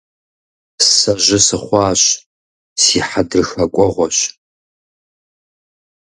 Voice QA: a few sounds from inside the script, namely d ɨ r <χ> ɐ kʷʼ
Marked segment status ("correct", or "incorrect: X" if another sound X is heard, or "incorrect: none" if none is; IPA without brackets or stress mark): incorrect: x